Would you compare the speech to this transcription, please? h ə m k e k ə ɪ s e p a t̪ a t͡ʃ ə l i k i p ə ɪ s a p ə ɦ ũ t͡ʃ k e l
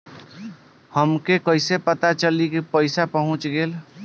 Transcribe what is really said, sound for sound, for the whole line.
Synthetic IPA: h ə m k e k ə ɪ s e p ə t̪ a t͡ʃ ə l i k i p ə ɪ s a p ə ɦ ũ t͡ʃ ɡ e l